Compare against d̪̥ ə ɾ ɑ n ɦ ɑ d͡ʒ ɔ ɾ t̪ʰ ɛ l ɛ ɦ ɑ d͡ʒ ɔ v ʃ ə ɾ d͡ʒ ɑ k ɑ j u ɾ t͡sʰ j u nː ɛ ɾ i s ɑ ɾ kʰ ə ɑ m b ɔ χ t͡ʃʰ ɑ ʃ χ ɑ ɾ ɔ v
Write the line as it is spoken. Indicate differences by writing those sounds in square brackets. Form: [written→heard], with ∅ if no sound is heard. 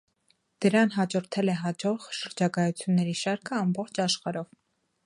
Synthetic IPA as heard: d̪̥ ə ɾ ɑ n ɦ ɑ d͡ʒ ɔ ɾ t̪ʰ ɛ l ɛ ɦ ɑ d͡ʒ ɔ [v→ʁ] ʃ ə ɾ d͡ʒ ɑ k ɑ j u [ɾ→∅] t͡sʰ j u nː ɛ ɾ i [s→ʃ] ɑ ɾ kʰ ə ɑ m b ɔ χ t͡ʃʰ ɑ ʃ χ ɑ ɾ ɔ v